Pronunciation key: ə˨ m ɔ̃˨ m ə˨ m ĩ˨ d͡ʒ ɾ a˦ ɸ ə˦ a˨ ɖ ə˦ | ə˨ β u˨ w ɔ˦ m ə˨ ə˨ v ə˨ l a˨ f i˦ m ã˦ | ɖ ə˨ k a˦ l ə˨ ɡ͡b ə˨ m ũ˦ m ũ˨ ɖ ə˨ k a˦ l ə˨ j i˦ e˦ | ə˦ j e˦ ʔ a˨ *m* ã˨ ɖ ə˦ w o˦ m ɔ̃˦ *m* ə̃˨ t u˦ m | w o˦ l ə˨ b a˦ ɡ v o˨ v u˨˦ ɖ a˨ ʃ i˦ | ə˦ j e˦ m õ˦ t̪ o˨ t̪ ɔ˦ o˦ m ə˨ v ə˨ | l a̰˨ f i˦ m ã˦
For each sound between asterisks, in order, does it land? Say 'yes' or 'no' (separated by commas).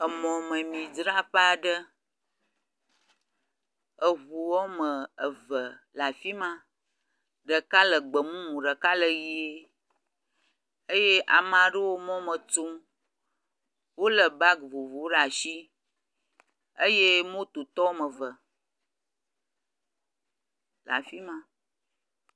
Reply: yes, yes